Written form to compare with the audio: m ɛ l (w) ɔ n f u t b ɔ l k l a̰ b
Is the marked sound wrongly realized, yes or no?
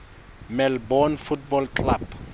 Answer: yes